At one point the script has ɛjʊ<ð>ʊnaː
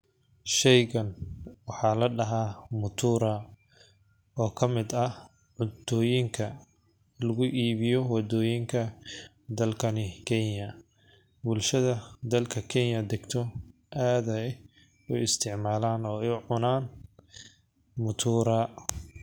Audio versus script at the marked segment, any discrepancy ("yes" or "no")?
yes